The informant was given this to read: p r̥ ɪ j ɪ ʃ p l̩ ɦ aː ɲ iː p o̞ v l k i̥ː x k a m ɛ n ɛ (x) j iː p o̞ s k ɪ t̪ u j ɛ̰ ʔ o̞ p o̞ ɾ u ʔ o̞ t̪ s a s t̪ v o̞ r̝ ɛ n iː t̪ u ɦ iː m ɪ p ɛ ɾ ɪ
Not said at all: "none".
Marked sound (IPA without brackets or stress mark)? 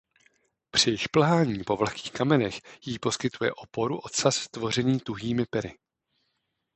x